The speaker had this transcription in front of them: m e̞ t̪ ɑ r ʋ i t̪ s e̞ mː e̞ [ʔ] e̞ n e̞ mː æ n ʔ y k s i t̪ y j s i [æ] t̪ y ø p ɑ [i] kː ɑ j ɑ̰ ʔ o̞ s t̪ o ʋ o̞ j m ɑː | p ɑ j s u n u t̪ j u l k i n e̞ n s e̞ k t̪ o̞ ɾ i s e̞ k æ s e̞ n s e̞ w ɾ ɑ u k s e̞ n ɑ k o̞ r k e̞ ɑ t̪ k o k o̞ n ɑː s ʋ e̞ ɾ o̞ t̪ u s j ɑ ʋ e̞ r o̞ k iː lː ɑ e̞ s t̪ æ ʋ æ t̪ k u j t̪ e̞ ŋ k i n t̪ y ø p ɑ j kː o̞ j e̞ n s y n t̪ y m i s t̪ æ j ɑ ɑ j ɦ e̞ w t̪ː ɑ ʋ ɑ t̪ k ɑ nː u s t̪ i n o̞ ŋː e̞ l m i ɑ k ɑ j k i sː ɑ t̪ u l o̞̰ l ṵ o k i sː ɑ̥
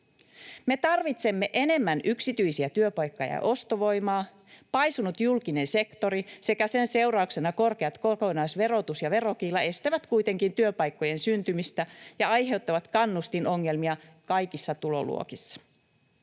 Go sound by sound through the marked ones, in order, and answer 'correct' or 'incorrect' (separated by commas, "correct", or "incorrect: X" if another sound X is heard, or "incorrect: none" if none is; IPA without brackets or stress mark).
correct, correct, incorrect: j